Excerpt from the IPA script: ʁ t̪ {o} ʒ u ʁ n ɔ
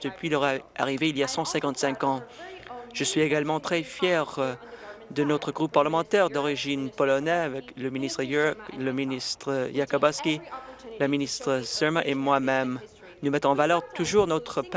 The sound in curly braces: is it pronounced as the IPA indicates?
no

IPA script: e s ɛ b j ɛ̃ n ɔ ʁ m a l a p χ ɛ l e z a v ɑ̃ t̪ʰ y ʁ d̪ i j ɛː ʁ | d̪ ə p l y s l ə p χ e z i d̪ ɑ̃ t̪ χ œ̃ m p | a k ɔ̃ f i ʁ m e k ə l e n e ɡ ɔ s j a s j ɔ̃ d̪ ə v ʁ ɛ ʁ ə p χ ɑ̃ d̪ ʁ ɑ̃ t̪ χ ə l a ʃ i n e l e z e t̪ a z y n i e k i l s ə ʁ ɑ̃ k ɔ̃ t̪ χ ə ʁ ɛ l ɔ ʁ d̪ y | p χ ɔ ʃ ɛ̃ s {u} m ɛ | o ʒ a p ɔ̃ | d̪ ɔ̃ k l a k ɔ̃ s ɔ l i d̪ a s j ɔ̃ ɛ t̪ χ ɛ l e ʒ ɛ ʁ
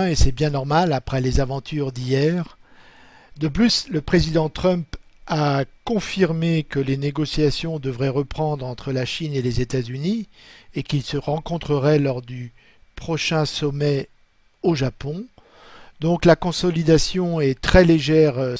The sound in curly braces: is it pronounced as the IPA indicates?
no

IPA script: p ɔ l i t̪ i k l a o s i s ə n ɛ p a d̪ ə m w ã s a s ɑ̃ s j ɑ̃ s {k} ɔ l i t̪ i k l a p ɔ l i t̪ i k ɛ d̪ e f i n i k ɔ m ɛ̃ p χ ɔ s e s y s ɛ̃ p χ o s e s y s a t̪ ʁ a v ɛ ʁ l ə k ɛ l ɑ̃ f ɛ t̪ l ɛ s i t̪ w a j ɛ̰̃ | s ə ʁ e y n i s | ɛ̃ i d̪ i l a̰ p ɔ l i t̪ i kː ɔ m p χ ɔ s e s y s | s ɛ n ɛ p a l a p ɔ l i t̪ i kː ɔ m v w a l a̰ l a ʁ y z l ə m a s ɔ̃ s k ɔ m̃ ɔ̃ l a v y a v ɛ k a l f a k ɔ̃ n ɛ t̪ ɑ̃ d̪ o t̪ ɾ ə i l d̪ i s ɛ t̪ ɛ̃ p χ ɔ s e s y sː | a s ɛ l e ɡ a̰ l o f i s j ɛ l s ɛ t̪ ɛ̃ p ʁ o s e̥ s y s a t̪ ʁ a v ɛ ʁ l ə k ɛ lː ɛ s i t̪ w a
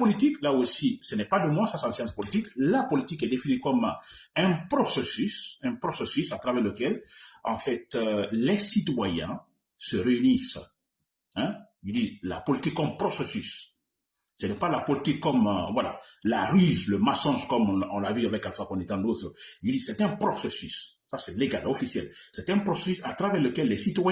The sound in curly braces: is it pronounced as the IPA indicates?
no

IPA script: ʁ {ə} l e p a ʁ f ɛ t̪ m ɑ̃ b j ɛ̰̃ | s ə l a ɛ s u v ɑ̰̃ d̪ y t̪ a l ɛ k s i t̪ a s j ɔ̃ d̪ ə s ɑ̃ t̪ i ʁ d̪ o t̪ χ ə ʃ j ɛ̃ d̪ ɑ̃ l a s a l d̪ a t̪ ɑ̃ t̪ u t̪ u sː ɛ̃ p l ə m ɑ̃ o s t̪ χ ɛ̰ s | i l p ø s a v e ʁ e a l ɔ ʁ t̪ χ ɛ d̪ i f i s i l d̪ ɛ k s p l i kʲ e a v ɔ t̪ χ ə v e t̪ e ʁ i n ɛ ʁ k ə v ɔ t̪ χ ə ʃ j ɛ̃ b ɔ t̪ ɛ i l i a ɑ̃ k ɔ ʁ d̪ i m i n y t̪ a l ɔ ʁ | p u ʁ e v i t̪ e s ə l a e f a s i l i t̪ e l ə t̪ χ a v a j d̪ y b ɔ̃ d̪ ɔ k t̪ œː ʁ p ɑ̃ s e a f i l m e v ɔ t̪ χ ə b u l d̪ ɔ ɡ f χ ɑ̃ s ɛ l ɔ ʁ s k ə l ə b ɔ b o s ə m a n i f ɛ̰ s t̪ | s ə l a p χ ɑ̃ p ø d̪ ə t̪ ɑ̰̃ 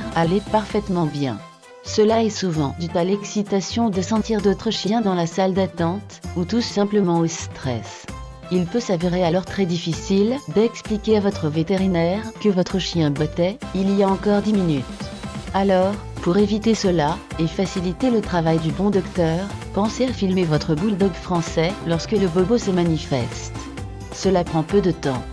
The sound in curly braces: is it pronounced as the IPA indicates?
no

